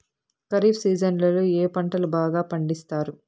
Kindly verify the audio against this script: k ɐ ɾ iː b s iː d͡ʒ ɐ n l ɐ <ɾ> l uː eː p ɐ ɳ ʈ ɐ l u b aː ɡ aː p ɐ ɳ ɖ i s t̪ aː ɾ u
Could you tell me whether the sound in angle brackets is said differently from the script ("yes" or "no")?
yes